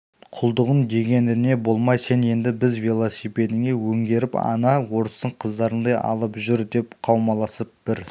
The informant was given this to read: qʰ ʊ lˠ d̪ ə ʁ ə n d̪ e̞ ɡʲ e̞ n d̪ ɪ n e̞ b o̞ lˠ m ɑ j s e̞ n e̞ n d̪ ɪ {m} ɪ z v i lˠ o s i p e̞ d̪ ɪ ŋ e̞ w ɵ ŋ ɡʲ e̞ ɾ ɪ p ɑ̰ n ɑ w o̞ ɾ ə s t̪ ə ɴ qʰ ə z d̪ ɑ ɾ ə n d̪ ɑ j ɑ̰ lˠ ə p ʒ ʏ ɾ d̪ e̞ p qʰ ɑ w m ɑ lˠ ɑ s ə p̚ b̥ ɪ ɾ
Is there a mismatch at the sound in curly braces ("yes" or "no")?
yes